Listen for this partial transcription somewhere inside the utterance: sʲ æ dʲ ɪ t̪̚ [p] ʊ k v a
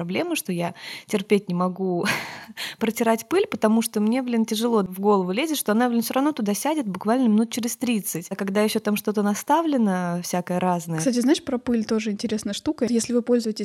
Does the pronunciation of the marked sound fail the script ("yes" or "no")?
yes